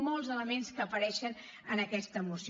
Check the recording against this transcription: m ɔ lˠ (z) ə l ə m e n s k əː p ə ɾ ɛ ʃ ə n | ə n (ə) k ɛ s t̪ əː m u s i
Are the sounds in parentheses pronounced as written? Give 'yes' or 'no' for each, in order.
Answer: yes, yes

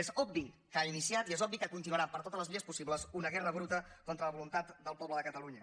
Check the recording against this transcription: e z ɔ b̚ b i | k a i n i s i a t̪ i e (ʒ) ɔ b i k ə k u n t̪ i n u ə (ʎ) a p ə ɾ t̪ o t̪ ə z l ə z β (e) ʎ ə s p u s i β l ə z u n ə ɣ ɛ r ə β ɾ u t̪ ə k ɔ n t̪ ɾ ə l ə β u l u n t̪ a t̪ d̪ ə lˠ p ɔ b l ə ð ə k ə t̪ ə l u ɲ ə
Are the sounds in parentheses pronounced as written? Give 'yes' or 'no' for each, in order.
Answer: no, no, no

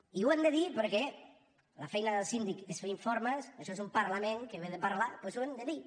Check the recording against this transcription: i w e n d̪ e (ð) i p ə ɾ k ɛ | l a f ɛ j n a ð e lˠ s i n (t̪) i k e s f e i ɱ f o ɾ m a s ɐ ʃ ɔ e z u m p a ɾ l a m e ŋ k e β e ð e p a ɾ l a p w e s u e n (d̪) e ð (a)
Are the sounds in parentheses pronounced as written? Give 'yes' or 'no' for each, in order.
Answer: yes, no, yes, no

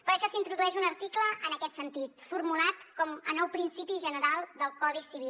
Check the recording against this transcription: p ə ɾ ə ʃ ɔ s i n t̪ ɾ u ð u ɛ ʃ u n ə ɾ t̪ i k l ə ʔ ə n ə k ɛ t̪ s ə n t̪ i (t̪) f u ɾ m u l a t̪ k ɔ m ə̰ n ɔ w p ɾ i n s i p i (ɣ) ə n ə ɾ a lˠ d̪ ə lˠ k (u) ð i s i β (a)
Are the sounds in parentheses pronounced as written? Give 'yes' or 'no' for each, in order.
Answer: yes, no, no, no

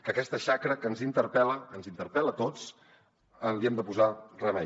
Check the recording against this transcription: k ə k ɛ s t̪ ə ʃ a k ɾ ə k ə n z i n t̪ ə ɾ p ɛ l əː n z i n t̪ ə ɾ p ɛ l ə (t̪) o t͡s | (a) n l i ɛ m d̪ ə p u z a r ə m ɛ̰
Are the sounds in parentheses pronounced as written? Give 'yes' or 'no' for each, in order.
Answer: yes, no

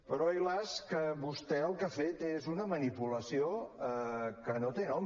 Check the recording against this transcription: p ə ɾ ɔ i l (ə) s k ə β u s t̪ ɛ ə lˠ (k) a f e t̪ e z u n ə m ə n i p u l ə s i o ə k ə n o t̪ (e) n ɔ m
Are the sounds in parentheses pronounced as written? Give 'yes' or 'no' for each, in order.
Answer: no, yes, yes

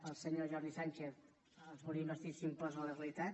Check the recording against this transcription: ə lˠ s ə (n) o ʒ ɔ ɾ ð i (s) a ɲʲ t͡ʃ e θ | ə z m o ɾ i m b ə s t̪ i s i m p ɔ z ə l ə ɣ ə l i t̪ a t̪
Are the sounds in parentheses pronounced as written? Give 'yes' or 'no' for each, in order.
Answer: no, yes

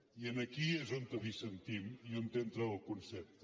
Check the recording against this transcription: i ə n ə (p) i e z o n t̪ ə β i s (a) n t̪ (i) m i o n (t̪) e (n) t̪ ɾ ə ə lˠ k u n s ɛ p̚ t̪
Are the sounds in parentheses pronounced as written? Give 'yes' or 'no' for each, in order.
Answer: no, no, yes, yes, yes

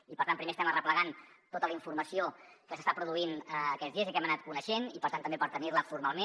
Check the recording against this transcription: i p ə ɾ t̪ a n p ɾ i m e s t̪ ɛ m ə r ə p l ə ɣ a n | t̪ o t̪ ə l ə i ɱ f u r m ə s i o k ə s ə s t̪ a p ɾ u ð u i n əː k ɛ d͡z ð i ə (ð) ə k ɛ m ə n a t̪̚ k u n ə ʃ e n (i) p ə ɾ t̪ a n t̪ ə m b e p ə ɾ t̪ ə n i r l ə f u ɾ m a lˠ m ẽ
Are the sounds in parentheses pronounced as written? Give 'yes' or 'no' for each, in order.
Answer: no, yes

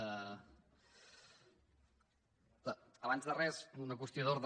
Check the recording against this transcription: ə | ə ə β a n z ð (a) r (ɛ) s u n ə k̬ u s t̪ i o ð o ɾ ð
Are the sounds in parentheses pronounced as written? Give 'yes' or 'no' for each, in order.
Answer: no, yes

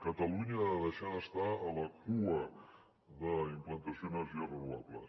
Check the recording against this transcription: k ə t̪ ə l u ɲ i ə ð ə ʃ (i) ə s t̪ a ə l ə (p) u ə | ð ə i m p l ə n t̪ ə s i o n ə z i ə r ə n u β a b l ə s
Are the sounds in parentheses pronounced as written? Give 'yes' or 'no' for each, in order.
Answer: no, no

